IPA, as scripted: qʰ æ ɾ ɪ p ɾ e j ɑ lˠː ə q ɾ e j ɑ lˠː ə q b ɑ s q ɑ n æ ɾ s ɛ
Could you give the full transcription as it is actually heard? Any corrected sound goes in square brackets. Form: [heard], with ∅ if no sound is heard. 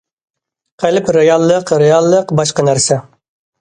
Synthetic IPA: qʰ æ [l] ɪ p ɾ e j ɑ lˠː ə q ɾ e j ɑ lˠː ə q b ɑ [ʃ] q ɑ n æ ɾ s ɛ